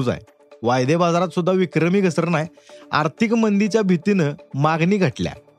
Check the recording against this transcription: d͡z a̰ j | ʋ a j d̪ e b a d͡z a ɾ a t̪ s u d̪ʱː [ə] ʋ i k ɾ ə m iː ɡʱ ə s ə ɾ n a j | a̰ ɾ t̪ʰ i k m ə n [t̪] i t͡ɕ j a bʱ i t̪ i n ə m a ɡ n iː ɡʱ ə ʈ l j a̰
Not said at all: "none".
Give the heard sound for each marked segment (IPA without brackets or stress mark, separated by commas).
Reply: a, d̪